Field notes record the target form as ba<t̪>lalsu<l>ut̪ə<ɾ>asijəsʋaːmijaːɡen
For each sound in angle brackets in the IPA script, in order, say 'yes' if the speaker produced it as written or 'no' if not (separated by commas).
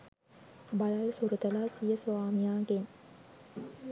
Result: no, no, no